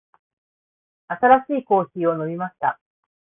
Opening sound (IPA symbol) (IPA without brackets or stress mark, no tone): a